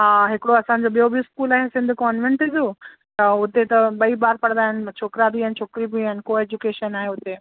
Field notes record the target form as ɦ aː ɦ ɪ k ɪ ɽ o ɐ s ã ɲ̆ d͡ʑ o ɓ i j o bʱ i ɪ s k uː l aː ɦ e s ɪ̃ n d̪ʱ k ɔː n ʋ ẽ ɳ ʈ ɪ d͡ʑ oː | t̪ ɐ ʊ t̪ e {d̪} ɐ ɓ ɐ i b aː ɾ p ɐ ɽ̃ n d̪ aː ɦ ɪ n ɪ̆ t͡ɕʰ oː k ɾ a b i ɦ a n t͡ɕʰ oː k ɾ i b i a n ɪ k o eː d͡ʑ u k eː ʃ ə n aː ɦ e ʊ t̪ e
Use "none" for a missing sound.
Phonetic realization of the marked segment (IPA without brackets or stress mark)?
t̪